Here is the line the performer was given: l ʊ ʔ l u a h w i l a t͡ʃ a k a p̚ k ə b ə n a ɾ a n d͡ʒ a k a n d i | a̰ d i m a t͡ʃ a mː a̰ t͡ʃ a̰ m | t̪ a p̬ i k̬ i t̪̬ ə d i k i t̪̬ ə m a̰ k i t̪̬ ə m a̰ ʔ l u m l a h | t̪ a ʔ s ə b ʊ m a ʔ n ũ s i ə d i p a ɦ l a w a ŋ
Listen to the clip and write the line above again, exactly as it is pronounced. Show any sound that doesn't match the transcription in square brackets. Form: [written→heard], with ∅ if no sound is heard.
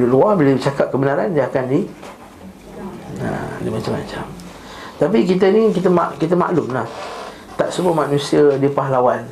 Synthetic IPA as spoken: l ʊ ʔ l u a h [w→b] i l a t͡ʃ a k a p̚ k ə b ə n a ɾ a n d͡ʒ a k a n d i | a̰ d i m a t͡ʃ a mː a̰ t͡ʃ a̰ m | t̪ a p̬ i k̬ i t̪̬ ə [d→n] i k i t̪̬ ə m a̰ k i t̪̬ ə m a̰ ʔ l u m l a h | t̪ a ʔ s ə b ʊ m a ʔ n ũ s i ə d i p a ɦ l a w a [ŋ→n]